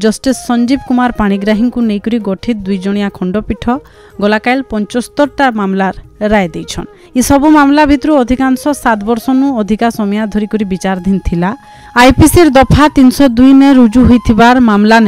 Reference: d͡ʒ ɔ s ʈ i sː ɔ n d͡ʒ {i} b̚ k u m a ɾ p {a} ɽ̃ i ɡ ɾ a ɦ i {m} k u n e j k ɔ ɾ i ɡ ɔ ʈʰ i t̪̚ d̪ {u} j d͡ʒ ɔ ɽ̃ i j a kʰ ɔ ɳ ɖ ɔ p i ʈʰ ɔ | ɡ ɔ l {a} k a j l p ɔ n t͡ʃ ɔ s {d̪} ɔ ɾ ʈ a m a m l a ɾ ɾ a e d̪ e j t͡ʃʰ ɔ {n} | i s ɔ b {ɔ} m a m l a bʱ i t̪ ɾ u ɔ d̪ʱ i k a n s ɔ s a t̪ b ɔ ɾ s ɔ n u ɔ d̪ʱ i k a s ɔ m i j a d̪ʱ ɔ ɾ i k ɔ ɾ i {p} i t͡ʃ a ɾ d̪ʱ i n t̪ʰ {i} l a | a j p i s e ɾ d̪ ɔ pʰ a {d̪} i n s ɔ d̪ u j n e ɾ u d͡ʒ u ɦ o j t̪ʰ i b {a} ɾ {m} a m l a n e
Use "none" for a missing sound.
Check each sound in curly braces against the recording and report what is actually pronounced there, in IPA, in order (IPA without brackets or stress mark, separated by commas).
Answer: i, a, ŋ, u, a, t̪, n, u, b, i, t̪, a, m